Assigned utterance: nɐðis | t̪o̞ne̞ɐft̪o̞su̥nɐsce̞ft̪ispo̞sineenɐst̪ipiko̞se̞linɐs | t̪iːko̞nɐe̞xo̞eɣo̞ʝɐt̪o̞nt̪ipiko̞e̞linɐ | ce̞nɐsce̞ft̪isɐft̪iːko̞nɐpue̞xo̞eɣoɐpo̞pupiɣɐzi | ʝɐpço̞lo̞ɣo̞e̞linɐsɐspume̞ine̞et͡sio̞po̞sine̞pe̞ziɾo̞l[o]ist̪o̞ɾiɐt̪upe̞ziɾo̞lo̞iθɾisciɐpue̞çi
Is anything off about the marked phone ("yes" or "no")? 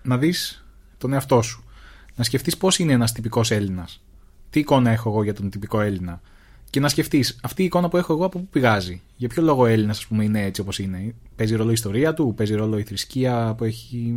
no